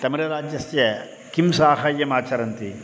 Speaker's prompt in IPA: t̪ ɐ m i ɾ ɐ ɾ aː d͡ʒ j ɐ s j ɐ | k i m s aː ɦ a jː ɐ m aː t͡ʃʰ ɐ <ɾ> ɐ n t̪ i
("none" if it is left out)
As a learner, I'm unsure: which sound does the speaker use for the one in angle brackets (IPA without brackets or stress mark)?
ɾ